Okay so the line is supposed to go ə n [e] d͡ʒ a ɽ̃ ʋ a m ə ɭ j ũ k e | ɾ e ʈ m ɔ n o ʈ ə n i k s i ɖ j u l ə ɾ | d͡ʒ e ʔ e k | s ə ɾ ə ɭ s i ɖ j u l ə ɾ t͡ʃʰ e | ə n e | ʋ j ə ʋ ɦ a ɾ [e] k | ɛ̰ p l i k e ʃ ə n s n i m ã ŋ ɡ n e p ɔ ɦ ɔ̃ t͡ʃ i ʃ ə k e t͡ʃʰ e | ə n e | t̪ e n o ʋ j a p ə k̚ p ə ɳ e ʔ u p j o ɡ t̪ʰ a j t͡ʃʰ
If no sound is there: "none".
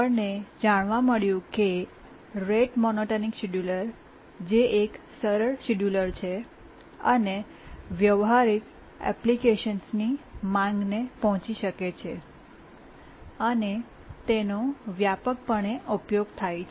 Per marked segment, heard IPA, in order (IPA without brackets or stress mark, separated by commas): e, i